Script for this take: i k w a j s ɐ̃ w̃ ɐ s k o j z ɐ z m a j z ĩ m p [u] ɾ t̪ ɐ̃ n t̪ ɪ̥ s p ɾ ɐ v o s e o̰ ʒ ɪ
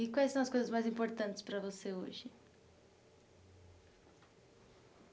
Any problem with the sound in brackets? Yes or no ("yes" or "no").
yes